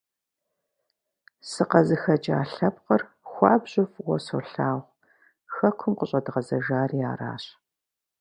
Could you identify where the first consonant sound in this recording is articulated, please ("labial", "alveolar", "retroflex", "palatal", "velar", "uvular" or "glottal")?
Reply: alveolar